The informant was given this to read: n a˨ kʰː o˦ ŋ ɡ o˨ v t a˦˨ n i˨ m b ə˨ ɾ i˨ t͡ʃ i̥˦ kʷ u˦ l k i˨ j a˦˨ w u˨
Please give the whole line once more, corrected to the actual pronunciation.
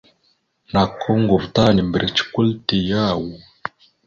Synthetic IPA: n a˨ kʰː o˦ ŋ ɡ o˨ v t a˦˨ n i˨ m b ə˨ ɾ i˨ t͡ʃ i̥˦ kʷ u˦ l t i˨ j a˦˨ w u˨